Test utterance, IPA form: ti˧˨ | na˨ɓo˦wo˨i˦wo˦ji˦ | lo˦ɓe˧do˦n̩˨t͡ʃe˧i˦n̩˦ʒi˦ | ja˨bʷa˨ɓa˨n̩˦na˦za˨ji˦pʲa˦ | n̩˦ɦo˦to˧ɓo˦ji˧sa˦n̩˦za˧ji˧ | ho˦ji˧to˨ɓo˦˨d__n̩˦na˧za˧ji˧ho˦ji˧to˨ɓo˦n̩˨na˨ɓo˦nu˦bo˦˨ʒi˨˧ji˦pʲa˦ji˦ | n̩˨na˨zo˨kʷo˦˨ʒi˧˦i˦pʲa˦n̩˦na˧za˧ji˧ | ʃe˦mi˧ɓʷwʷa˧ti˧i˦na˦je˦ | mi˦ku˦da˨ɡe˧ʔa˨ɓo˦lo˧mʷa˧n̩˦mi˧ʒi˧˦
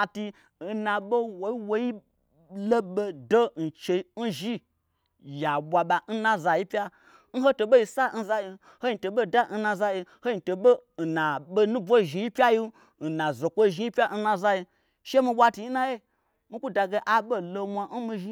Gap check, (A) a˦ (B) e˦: A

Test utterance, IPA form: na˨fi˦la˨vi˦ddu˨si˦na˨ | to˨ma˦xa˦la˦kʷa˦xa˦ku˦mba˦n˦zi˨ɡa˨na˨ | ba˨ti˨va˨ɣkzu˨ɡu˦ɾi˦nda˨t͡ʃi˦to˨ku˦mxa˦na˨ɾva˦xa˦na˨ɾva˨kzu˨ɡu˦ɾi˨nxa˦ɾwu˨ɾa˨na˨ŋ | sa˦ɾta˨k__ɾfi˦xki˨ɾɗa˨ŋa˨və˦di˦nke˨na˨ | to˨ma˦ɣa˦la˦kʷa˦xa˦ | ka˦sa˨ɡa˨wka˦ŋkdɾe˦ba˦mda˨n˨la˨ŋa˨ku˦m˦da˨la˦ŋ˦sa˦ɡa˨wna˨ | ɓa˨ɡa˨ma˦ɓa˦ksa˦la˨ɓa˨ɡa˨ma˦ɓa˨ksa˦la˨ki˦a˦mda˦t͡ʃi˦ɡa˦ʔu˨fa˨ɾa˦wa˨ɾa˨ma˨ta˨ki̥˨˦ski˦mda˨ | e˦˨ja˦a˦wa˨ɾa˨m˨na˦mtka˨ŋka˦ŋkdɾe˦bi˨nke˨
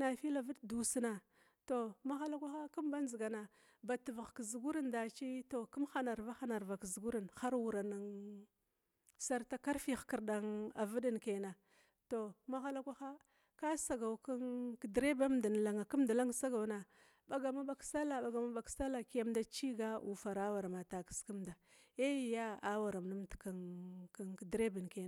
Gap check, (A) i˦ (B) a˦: B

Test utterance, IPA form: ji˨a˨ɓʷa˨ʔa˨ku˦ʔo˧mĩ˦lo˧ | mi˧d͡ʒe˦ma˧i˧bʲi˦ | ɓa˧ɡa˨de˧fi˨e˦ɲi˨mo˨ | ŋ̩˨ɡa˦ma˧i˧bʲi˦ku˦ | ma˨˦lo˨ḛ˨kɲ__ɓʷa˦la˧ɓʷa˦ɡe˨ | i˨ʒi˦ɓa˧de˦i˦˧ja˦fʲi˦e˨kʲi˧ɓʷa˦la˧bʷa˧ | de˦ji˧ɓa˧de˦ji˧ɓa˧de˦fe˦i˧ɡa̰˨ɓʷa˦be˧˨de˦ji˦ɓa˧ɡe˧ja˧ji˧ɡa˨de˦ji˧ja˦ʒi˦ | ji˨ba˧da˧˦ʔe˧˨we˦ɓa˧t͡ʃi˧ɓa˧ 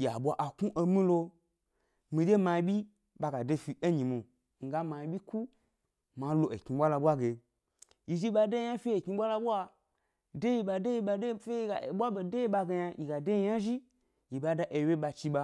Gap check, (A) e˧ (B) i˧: B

